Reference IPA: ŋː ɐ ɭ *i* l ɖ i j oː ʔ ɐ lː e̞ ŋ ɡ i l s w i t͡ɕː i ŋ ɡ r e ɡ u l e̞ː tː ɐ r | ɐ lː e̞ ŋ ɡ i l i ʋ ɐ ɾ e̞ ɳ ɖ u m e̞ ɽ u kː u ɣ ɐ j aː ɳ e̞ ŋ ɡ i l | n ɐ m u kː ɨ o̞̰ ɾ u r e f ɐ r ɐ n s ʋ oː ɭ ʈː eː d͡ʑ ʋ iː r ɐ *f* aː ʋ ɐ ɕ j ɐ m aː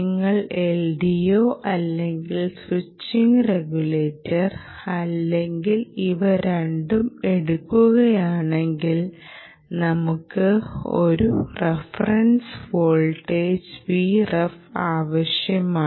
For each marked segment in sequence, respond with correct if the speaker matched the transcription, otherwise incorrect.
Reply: incorrect, correct

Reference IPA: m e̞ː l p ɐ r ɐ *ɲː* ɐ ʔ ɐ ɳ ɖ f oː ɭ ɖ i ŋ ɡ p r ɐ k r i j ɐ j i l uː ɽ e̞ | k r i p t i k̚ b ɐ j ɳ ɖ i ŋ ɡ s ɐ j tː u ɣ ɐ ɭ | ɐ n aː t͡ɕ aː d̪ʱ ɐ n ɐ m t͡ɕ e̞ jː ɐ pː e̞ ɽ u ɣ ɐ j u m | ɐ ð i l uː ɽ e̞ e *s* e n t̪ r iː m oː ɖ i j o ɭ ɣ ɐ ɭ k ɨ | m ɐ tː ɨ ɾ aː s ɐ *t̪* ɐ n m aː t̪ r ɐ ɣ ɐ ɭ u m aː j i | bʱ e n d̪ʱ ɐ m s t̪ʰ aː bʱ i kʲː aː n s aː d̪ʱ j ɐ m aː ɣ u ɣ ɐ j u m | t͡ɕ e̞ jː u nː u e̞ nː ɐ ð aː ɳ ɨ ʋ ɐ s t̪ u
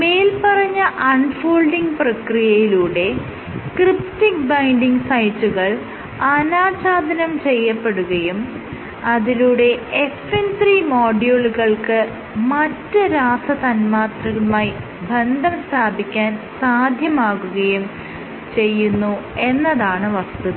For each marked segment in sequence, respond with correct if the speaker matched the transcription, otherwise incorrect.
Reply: correct, incorrect, correct

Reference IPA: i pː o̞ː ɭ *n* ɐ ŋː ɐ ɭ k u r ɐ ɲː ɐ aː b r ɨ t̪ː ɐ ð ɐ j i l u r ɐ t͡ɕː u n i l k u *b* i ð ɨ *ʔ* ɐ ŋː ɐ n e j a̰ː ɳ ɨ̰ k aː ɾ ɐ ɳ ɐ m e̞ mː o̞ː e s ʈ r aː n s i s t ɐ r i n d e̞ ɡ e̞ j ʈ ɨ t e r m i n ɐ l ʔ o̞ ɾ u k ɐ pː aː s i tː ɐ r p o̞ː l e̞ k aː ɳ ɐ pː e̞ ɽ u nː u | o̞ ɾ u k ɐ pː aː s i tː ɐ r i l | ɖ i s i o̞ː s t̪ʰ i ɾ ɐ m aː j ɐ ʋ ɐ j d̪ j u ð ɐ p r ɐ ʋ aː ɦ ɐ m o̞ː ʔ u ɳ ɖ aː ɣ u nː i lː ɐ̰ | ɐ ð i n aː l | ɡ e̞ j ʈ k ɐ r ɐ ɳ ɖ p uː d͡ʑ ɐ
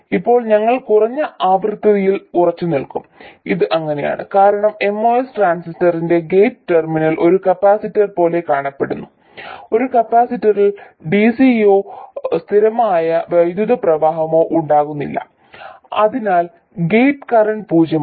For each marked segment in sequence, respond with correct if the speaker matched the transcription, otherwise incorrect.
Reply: incorrect, incorrect, correct

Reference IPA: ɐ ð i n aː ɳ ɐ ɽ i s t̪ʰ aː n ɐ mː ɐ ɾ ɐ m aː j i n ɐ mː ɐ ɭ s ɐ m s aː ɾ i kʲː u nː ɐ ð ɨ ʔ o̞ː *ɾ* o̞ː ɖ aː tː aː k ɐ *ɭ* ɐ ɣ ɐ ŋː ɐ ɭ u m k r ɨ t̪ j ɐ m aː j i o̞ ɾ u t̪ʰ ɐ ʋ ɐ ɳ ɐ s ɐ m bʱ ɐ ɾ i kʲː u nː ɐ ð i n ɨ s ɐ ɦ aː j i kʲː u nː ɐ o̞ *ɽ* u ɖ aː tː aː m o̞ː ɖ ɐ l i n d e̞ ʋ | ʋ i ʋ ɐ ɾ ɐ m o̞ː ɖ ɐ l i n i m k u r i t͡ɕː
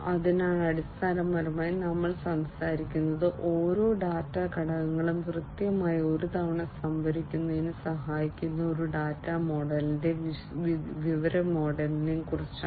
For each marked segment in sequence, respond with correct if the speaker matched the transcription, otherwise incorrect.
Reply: correct, incorrect, incorrect

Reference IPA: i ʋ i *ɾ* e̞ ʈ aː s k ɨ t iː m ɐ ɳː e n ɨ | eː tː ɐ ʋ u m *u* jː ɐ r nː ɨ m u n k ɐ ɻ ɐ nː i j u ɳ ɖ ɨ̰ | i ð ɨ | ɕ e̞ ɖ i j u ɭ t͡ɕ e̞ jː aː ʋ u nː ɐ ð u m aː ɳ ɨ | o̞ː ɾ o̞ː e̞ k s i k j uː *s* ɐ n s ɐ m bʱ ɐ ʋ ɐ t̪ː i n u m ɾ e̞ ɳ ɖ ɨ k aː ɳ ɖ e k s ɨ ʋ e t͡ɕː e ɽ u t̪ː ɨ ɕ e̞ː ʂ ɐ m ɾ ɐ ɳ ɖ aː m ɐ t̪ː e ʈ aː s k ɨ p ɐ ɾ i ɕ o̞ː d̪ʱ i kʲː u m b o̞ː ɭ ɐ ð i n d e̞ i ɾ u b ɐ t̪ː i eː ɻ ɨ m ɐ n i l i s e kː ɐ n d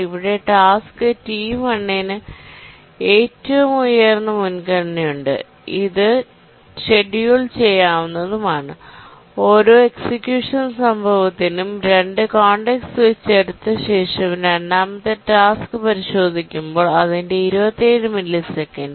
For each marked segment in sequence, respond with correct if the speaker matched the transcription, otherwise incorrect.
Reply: incorrect, correct, incorrect

